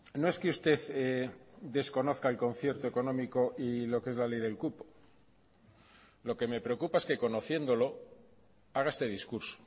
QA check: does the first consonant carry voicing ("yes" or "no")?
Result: yes